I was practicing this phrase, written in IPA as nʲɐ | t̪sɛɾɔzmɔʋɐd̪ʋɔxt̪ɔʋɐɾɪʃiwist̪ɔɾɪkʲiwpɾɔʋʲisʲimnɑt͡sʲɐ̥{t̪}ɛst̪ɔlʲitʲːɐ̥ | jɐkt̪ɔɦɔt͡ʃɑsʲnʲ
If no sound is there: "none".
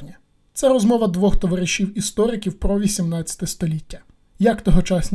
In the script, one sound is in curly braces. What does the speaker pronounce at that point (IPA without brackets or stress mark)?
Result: t̪